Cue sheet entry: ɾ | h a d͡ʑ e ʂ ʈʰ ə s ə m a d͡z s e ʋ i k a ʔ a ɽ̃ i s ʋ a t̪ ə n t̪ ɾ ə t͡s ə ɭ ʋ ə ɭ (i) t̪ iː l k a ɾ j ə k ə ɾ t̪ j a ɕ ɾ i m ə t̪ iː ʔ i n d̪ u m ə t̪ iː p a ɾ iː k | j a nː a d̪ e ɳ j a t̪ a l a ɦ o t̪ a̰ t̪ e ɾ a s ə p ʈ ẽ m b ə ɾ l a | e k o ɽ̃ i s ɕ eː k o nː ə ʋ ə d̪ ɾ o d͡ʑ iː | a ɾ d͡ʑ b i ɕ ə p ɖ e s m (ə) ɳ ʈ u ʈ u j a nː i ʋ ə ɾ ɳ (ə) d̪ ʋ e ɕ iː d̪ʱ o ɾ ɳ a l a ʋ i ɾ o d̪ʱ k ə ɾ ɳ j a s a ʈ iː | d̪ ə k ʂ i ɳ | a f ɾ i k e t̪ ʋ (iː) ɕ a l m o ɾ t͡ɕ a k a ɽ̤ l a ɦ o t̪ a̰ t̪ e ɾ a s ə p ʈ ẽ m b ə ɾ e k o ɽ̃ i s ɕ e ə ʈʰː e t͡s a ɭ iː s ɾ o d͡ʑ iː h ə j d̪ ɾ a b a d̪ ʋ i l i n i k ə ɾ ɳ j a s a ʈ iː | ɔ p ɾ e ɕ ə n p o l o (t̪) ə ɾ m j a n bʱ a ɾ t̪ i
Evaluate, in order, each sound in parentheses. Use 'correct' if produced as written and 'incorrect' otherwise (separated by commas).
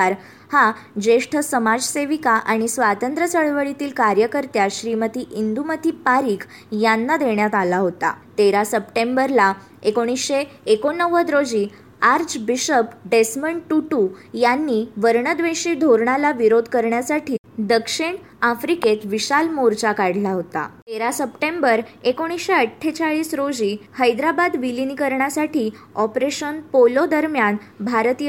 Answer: correct, correct, correct, incorrect, incorrect